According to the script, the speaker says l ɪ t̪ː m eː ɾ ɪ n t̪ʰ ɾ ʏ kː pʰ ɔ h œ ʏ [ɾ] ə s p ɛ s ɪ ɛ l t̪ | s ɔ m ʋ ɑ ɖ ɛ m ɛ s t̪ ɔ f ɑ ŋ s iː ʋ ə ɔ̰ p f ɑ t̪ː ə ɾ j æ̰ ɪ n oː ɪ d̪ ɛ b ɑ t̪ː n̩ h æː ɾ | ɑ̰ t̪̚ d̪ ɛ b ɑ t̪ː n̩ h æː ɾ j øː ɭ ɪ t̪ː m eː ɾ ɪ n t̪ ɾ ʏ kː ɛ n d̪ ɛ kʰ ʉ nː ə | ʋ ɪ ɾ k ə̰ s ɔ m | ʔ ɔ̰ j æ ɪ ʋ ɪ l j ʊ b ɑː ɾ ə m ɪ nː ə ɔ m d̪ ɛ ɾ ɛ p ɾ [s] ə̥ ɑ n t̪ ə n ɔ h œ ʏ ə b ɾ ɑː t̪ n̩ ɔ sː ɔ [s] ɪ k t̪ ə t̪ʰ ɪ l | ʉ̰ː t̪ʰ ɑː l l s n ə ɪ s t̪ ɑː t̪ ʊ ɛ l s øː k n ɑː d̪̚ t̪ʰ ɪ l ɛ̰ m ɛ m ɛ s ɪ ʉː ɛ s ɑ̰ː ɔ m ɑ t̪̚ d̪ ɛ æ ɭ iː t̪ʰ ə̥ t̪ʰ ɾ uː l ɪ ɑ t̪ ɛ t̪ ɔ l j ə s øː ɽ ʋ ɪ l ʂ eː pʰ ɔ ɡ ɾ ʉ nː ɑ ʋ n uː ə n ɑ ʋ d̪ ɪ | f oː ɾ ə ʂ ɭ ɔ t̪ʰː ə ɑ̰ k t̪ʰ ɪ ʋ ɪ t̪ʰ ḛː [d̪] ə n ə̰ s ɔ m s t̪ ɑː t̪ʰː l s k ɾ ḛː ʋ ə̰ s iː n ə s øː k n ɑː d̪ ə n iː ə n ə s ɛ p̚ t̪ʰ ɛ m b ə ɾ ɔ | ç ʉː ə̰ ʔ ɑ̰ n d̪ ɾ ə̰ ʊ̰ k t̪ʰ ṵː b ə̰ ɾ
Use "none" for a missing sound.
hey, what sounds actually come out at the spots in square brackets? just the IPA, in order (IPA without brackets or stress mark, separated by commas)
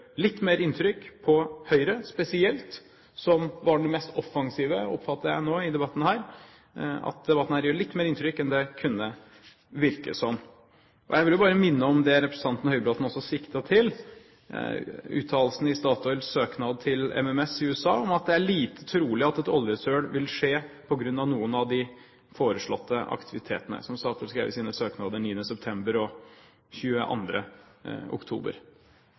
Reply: ɾ, s, s, t̪